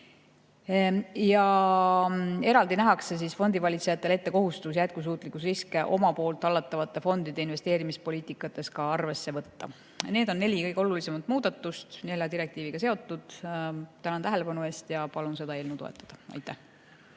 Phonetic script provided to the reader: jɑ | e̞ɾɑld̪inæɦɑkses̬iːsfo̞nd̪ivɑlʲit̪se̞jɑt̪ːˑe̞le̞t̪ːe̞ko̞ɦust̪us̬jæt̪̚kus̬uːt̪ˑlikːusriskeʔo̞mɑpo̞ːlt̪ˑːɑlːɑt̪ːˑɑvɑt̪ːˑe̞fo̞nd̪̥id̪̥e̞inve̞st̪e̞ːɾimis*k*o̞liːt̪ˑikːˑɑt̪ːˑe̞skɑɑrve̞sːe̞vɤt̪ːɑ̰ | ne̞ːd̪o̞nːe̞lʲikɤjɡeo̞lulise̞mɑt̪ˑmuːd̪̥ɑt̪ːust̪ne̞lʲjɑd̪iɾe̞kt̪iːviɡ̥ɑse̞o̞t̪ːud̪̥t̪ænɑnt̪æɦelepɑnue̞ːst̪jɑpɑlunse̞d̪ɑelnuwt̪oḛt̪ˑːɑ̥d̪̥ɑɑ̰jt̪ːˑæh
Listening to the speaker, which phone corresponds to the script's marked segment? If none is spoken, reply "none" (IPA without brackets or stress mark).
p